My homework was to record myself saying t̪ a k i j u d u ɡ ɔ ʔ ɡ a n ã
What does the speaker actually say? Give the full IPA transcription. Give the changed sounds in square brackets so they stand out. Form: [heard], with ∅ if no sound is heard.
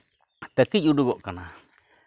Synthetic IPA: t̪ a k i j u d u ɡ [o] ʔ [k] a n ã